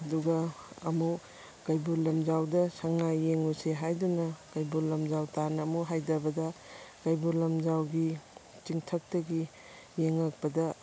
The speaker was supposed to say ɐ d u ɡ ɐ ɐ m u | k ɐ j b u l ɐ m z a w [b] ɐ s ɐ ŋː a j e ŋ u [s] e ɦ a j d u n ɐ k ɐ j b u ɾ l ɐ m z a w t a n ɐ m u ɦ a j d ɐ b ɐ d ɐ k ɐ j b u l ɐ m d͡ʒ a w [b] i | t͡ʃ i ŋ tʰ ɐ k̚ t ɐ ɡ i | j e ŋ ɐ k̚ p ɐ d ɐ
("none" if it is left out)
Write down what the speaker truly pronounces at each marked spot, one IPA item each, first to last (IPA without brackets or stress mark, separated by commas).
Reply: d, s, ɡ